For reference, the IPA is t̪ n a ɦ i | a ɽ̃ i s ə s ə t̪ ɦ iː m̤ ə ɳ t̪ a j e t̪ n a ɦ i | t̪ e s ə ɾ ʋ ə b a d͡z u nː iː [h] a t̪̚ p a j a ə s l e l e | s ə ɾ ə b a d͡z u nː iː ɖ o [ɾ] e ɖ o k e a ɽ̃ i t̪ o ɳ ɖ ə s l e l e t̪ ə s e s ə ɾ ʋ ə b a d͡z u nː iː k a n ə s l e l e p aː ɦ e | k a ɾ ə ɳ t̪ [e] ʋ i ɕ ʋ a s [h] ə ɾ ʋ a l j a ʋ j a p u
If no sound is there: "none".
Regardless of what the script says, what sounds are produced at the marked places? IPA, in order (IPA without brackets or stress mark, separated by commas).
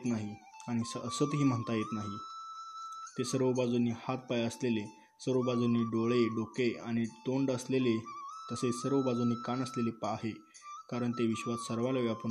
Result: h, ɭ, e, s